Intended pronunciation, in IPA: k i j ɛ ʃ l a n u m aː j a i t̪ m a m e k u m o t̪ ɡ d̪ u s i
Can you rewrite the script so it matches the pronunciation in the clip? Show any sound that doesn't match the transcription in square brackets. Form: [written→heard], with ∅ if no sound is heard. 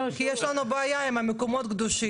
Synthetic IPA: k i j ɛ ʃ l a n u [m→b] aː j a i [t̪→∅] m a m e k [u→o] m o t̪ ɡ d̪ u [s→ʃ] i